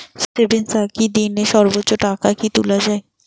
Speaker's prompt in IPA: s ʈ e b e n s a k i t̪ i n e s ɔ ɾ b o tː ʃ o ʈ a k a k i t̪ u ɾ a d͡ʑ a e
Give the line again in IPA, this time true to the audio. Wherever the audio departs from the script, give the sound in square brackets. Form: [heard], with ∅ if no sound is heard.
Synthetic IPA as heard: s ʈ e b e n s a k i [d̪] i n e [ʃ] ɔ ɾ b o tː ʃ o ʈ a k a k i t̪ u [l] a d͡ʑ a e